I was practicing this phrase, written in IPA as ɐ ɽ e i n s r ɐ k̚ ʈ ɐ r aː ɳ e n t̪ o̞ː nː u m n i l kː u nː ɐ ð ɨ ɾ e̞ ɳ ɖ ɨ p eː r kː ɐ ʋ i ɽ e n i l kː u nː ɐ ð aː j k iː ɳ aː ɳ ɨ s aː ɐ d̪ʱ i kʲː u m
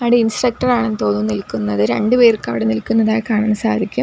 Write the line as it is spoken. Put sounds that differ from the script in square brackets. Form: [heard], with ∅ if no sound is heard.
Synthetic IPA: ɐ ɽ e i n s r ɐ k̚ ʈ ɐ r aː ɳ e n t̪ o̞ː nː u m n i l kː u nː ɐ ð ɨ ɾ e̞ ɳ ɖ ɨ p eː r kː ɐ ʋ i ɽ e n i l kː u nː ɐ ð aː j k [aː] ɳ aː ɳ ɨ s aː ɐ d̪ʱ i kʲː u m